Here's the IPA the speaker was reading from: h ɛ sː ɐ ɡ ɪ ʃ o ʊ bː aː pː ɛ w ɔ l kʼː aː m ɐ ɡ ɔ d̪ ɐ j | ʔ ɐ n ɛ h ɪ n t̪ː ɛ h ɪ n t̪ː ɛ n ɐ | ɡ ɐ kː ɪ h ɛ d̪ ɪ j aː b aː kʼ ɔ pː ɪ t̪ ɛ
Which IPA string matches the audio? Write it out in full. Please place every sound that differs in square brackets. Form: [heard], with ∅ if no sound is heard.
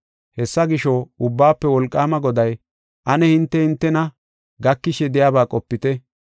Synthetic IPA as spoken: h ɛ sː ɐ ɡ ɪ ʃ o ʊ bː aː pː ɛ w ɔ l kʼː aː m ɐ ɡ ɔ d̪ ɐ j | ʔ ɐ n ɛ h ɪ n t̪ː ɛ h ɪ n t̪ː ɛ n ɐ | ɡ ɐ kː ɪ [ʃ] ɛ d̪ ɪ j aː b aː kʼ ɔ pː ɪ t̪ ɛ